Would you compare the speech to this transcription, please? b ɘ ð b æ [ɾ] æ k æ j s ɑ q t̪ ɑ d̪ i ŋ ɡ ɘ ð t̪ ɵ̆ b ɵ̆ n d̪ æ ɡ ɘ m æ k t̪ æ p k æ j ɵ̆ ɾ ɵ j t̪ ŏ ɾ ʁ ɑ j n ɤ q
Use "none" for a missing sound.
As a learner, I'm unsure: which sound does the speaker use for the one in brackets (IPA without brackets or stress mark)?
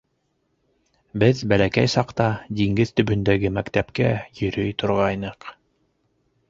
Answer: l